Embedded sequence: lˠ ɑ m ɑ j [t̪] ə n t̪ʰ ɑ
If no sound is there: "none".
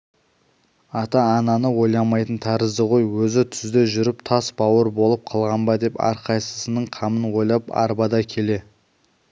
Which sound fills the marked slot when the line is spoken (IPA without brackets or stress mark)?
t̪